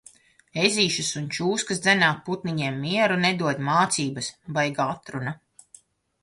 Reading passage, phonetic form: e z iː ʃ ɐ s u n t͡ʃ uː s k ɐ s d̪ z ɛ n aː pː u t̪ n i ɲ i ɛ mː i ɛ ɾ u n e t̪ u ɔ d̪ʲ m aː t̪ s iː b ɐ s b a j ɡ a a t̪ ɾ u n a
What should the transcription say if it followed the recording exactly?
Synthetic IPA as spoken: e z iː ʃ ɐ s u n t͡ʃ uː s k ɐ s d̪ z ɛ n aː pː u t̪ n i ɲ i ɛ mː i ɛ ɾ u n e d̪ u ɔ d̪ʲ m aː t̪ s iː b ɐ s b a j ɡ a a t̪ ɾ u n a